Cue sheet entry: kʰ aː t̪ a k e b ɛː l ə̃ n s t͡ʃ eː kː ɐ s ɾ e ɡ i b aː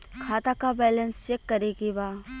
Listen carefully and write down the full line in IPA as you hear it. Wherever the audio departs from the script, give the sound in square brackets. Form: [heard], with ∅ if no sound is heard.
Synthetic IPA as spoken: kʰ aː t̪ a k [a] b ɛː l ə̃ n s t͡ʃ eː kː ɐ [∅] ɾ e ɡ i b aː